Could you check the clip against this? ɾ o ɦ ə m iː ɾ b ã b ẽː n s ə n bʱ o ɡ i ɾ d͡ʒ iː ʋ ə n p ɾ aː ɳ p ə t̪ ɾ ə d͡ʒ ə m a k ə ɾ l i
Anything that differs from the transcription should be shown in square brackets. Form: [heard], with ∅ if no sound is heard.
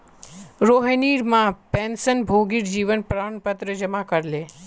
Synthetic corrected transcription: ɾ o ɦ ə [n] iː ɾ [m] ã [p] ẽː n s ə n bʱ o ɡ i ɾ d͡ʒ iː ʋ ə n p ɾ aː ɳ p ə t̪ ɾ ə d͡ʒ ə m a k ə ɾ l [e]